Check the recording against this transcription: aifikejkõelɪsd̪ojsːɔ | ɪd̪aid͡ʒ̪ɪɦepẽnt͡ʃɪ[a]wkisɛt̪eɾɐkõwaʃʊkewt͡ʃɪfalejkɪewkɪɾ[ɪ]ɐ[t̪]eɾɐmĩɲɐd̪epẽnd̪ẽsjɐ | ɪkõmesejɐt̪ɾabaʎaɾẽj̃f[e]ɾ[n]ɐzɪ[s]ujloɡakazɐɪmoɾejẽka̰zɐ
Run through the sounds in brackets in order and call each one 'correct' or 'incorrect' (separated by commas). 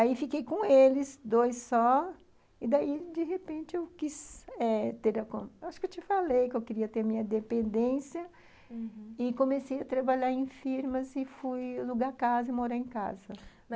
incorrect, incorrect, correct, incorrect, incorrect, incorrect